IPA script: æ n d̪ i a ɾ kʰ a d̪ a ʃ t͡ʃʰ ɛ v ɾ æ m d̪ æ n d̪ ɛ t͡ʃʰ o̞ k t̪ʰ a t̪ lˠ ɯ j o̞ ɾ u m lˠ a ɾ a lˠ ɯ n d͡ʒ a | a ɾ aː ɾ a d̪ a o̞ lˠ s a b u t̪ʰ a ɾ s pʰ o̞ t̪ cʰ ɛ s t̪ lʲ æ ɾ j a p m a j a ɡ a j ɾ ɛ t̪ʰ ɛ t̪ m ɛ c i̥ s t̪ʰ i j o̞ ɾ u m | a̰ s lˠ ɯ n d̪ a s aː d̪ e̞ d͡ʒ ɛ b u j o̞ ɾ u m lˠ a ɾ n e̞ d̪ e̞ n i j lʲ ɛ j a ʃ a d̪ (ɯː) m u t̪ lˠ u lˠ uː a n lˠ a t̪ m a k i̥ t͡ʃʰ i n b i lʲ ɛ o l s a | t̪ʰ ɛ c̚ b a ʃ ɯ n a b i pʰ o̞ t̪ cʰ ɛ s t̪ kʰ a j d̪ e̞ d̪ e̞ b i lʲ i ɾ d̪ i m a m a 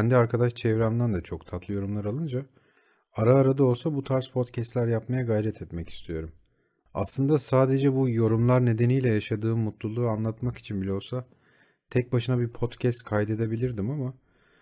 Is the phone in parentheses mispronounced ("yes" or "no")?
no